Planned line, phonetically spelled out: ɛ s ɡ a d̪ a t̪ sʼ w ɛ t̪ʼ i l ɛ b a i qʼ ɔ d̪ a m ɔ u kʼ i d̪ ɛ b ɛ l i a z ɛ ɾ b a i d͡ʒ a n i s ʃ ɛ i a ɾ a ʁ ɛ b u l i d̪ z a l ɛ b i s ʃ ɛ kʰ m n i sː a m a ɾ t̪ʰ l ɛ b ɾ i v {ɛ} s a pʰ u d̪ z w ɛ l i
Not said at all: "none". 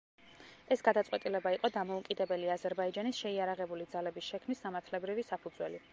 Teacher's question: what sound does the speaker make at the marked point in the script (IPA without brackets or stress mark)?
i